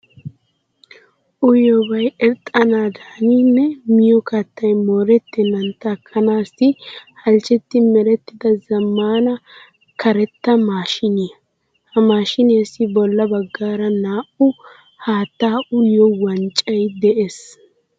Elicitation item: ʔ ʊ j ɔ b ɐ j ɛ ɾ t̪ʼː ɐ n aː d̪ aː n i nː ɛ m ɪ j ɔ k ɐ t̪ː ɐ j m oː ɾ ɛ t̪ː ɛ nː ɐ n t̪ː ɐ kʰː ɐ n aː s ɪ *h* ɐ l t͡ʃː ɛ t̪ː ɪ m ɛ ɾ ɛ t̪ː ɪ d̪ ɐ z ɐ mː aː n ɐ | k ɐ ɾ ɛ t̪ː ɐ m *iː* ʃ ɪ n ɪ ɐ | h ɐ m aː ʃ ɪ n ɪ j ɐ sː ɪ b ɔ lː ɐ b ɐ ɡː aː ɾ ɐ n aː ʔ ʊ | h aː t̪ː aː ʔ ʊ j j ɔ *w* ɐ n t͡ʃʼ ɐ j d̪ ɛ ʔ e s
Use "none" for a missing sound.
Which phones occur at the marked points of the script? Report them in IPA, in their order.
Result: h, aː, w

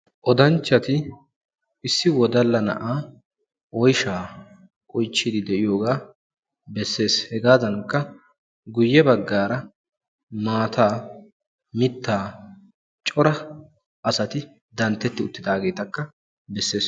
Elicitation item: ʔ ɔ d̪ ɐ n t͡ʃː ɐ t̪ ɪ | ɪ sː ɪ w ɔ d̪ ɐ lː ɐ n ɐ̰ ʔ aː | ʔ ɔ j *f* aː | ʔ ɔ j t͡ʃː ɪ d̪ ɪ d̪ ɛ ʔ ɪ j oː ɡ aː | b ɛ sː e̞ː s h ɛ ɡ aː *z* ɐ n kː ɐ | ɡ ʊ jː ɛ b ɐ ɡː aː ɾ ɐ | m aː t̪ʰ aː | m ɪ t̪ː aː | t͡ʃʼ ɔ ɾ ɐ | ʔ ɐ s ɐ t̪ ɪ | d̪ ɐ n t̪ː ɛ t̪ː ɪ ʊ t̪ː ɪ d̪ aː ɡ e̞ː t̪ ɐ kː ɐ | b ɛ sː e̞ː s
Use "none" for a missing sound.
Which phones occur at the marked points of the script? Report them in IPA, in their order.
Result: ʃ, z

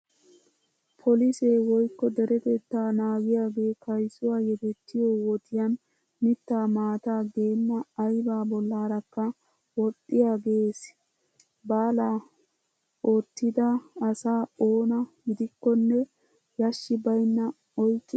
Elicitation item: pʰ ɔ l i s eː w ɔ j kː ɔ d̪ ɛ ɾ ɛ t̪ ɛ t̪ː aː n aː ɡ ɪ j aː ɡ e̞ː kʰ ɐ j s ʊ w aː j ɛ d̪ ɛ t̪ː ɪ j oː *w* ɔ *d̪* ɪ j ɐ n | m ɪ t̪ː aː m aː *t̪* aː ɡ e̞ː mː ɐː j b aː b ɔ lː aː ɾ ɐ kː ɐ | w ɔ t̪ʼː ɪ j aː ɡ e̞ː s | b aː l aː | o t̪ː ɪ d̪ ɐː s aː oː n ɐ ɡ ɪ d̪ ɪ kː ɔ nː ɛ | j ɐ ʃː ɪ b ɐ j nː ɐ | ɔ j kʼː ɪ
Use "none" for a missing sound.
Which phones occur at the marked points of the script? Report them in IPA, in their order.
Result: w, t̪, t̪

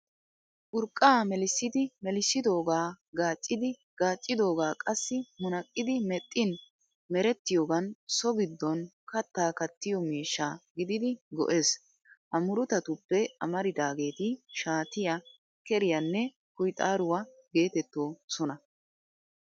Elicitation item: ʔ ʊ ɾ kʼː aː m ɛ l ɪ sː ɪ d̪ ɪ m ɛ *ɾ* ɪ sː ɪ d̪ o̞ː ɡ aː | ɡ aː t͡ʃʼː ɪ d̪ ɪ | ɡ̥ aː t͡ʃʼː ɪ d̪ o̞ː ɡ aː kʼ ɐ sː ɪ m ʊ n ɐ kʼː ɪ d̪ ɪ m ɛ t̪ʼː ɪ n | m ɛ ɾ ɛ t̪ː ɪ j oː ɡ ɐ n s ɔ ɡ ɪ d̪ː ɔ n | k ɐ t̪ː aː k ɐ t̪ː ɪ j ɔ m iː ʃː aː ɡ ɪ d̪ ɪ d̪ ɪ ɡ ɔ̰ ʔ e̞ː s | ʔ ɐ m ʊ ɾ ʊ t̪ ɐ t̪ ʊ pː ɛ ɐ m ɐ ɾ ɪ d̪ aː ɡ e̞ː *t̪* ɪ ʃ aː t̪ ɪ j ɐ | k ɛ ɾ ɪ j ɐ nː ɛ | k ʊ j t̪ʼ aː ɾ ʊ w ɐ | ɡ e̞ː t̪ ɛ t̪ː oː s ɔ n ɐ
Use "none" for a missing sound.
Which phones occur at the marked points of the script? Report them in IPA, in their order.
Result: l, t̪

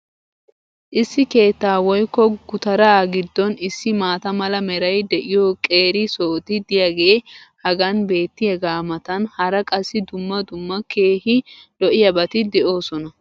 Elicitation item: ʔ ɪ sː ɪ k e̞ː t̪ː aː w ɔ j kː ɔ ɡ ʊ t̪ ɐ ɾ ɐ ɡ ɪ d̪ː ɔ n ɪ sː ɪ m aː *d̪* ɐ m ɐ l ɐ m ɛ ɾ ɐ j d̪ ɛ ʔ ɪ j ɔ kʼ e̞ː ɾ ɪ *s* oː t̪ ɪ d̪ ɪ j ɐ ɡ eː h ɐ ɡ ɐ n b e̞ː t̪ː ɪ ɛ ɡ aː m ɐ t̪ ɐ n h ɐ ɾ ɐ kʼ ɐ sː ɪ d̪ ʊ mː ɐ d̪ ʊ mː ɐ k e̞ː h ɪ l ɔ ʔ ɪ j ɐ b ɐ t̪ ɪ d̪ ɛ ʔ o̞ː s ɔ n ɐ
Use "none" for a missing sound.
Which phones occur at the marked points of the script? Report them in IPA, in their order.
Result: t̪, s

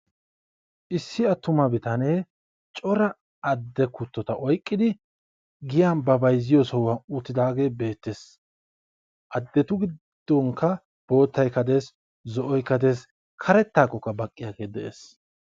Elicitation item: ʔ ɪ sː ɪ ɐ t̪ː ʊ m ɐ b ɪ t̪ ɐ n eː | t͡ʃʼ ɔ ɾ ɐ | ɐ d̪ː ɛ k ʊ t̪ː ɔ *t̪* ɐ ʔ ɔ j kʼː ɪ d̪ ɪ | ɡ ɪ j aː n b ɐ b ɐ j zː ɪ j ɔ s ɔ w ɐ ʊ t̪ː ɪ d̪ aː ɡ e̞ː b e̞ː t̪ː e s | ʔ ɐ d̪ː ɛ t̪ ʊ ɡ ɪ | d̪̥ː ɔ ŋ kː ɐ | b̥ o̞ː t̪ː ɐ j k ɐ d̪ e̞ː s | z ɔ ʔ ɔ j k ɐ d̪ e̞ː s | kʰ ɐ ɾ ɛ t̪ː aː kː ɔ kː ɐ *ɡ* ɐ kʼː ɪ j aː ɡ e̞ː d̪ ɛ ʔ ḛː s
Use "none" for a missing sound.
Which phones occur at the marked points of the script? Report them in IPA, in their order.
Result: t̪, b

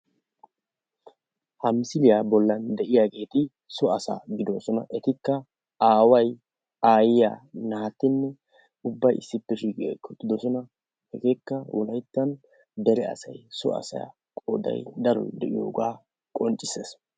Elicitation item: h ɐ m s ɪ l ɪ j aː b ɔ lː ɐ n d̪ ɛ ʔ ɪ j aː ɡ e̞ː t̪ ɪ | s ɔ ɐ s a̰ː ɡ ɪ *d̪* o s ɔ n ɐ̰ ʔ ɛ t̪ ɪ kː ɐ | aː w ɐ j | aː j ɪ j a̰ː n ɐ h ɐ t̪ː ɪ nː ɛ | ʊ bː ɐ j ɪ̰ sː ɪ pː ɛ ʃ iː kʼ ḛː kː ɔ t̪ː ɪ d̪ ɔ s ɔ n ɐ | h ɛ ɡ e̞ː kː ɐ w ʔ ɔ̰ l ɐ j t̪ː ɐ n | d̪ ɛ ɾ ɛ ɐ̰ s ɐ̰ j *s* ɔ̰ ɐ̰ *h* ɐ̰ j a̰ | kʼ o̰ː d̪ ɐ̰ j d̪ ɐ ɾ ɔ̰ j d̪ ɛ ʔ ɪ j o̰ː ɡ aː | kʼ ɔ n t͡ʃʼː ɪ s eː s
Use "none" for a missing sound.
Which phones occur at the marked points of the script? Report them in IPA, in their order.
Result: d̪, s, s

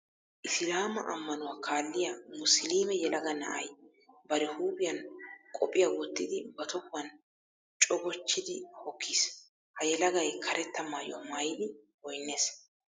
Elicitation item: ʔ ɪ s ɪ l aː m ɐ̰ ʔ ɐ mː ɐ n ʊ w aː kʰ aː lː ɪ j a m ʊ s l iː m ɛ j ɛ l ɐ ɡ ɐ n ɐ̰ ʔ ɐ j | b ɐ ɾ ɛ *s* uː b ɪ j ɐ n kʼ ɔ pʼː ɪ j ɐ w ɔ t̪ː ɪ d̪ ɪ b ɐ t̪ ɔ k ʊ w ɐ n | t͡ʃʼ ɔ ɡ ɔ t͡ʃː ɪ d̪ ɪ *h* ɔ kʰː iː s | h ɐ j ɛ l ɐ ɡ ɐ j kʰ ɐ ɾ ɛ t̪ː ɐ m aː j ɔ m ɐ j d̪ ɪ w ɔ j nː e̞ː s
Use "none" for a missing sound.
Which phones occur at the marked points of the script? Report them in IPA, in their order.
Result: h, h

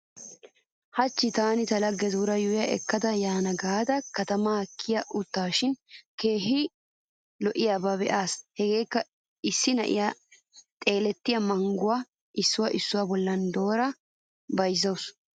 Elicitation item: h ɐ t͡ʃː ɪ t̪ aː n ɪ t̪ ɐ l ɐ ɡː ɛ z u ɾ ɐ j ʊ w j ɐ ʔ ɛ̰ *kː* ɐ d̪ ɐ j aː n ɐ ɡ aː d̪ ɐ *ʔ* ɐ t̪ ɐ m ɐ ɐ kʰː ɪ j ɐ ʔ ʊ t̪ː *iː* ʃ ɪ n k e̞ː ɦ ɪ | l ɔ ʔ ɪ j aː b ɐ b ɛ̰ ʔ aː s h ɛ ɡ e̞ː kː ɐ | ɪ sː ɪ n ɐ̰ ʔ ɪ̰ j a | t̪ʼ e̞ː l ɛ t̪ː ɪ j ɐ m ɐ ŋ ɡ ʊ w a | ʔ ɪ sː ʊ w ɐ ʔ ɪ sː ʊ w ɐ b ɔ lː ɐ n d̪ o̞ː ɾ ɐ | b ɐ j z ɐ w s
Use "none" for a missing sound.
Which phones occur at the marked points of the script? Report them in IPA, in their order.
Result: kː, k, aː

